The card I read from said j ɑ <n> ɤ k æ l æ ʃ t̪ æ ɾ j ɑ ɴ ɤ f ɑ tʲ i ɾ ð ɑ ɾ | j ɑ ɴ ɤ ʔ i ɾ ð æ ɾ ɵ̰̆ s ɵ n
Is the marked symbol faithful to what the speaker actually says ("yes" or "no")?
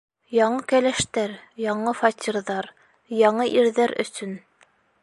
no